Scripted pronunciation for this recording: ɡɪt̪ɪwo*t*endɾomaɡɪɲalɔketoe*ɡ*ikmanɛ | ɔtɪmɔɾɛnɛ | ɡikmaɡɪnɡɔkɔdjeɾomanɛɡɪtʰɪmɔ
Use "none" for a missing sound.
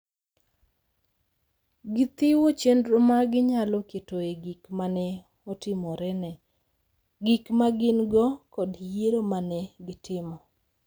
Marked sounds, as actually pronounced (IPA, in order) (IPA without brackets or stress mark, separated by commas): t͡ʃ, ɡ